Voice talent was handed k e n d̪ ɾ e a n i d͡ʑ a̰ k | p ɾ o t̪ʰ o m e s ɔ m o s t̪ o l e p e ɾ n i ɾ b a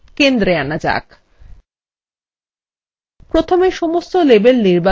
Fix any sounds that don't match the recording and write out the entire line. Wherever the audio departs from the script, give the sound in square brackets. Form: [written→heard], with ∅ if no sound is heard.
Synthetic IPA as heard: k e n d̪ ɾ e a n [i→a] d͡ʑ a̰ k | p ɾ o t̪ʰ o m e [s→ʃ] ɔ m o s t̪ o l e [p→b] e [ɾ→l] n i ɾ b a